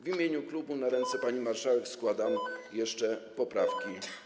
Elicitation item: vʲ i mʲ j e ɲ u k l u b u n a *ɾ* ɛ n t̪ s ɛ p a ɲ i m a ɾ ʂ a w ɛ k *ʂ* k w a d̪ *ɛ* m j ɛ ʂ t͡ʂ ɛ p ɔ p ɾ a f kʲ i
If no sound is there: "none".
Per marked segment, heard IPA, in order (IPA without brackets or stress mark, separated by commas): ɾ, s, a